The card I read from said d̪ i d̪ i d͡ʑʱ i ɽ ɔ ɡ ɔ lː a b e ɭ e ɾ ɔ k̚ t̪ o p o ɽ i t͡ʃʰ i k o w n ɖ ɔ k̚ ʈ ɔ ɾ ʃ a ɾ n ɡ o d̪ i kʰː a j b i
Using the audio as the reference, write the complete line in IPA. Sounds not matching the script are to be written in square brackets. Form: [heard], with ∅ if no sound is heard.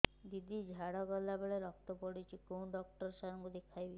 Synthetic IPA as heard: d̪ i d̪ i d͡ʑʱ [a] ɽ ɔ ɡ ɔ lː a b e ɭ e ɾ ɔ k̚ t̪ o p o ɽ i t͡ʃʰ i k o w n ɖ ɔ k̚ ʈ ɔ ɾ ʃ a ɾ [ŋ] ɡ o d̪ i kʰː a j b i